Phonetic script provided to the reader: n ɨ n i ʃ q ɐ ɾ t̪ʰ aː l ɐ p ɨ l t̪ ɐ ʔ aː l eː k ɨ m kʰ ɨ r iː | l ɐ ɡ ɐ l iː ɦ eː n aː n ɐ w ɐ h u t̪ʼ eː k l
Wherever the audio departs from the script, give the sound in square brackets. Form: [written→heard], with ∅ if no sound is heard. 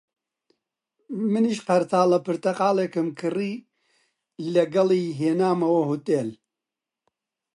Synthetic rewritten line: [n→m] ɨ n i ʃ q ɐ ɾ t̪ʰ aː l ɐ p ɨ [l→ɾ] t̪ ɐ [ʔ→q] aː l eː k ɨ m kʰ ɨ r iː | l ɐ ɡ ɐ l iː ɦ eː n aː [n→m] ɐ w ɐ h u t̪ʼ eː [k→∅] l